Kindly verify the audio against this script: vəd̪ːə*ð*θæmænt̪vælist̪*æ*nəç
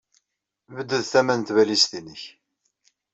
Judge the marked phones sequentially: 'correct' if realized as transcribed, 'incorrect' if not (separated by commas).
correct, incorrect